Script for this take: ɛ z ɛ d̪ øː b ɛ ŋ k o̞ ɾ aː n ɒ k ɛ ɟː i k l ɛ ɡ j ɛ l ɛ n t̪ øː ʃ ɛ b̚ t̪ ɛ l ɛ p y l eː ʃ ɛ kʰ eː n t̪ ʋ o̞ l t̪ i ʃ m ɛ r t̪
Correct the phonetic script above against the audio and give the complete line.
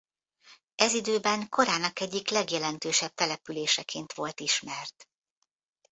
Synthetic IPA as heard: ɛ z i d̪ øː b ɛ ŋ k o̞ ɾ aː n ɒ k ɛ ɟː i k l ɛ ɡ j ɛ l ɛ n t̪ øː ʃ ɛ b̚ t̪ ɛ l ɛ p y l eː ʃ ɛ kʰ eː n t̪ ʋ o̞ l t̪ i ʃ m ɛ r t̪